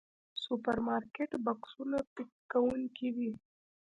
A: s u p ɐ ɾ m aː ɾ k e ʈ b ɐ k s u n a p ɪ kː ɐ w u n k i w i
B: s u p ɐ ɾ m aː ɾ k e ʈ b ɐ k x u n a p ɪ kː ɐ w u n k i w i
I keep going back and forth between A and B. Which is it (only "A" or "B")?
A